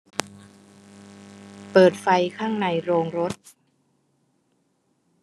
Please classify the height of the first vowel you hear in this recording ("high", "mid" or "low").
mid